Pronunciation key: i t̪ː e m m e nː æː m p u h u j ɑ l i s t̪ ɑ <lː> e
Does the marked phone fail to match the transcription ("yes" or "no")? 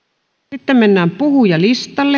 no